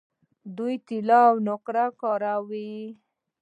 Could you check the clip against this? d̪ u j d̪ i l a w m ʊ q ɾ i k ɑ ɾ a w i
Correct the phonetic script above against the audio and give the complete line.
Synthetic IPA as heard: d̪ u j t̪ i l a w n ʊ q ɾ a k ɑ ɾ a w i

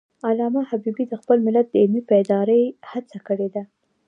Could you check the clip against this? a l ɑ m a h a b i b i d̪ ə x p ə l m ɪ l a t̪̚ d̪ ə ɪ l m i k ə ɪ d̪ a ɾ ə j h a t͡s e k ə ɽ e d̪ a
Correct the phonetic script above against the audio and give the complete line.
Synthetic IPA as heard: a l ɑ m a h a b i b i d̪ ə x p ə l m ɪ l a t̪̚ d̪ ə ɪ l m i p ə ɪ d̪ ɑ ɾ ə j h a t͡s a k ə ɽ e d̪ a

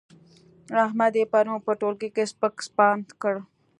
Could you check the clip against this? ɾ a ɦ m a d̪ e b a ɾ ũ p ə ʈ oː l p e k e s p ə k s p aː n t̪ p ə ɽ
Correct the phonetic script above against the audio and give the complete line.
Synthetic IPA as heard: ɾ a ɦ m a d̪ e p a ɾ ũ p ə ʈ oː l k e k e s p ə k s p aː n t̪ k ə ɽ

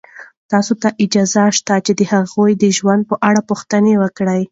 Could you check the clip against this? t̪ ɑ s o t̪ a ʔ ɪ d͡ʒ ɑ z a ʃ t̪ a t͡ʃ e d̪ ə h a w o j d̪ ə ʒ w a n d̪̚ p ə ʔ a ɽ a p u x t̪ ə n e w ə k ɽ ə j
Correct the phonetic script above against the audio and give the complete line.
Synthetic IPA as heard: t̪ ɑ s o t̪ a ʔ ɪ d͡ʒ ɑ z a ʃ t̪ a t͡ʃ e d̪ ə h a ɣ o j d̪ ə ʒ w a n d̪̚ p ə ʔ a ɽ a p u x t̪ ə n e w ə k ɽ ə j

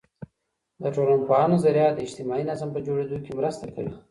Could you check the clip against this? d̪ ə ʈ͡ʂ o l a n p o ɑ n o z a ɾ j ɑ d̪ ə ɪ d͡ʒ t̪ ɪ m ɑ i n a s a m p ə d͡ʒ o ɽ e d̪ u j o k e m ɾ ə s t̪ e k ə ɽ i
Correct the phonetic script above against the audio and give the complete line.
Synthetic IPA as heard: d̪ ə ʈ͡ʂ o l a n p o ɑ n o z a ɾ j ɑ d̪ ə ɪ d͡ʒ t̪ ɪ m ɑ i n a z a m p ə d͡ʒ o ɽ e d̪ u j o k e m ɾ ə s t̪ a k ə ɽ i

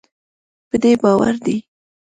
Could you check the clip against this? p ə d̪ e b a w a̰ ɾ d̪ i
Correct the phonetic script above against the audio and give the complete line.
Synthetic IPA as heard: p ə d̪ e b ɑ w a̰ ɾ d̪ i

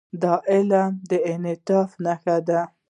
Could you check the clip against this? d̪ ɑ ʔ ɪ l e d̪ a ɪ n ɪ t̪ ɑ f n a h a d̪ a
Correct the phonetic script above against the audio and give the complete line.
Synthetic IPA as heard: d̪ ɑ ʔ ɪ l a d̪ ə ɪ n ɪ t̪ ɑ f n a x a d̪ a

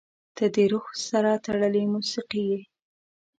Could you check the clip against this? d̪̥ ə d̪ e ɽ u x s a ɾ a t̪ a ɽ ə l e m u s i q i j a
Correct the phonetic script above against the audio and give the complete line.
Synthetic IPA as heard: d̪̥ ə d̪ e ɾ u x s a ɾ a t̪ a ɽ ə l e m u s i q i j e

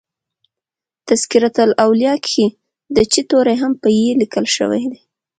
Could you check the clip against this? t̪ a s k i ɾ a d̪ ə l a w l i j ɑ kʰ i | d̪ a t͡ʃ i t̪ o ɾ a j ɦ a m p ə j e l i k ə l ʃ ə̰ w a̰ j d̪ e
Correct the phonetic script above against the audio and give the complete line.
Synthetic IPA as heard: t̪ a s k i ɾ a t̪ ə l a w l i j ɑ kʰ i | d̪ ə t͡ʃ i t̪ o ɾ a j ɦ a m p ə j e l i k ə l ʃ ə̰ w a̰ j d̪ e

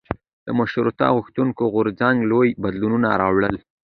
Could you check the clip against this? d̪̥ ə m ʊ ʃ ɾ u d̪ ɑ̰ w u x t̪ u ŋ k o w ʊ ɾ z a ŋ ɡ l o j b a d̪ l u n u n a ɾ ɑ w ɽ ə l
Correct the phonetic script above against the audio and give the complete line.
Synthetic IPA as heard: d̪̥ ə m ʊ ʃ ɾ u t̪ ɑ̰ ɣ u x t̪ u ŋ k o ɣ ʊ ɾ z a ŋ ɡ l o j b a d̪ l u n u n a ɾ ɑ w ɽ ə l

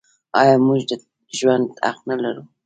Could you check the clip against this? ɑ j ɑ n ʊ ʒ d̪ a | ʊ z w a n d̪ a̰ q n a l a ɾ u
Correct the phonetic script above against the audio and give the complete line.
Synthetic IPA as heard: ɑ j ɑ m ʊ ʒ d̪ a | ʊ ʒ w a n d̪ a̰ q n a l a ɾ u

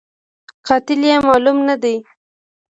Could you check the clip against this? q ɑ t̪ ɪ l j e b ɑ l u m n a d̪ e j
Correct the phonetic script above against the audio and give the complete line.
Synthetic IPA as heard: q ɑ t̪ ɪ l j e m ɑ l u m n a d̪ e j

